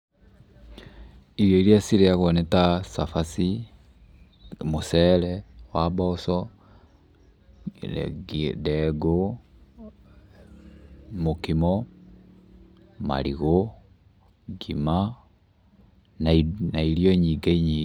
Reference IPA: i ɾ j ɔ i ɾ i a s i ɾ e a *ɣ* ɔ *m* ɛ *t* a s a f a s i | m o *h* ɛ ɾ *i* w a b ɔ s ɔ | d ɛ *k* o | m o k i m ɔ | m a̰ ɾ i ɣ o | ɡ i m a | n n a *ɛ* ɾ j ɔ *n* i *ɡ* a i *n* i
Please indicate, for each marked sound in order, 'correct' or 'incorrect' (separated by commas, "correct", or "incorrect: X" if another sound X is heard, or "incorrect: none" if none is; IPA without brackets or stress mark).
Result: correct, incorrect: n, correct, incorrect: s, incorrect: ɛ, incorrect: ɡ, incorrect: i, incorrect: ɲ, correct, incorrect: ɲ